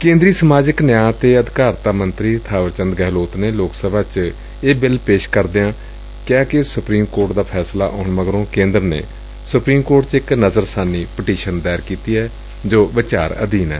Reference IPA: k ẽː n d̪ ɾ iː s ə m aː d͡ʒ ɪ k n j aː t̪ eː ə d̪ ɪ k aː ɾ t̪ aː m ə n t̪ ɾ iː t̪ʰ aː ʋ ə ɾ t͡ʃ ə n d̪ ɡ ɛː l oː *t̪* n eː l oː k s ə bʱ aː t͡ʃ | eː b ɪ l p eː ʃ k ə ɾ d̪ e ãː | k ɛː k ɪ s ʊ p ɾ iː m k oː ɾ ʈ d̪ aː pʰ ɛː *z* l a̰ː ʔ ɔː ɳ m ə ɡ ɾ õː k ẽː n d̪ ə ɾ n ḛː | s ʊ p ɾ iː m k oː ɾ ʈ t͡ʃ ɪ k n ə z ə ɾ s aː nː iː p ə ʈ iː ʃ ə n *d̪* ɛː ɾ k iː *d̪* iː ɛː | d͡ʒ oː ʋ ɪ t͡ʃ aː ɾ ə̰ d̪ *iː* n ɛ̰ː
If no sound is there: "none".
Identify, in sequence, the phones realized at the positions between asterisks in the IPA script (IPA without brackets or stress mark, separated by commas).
t̪, s, d̪, t̪, iː